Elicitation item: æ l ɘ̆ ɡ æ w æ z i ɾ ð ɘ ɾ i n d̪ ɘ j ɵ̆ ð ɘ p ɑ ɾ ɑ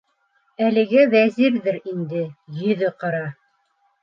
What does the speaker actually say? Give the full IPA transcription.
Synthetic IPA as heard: æ l ɘ̆ ɡ æ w æ z i ɾ ð ɘ ɾ i n d̪ ɘ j ɵ̆ ð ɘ q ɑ ɾ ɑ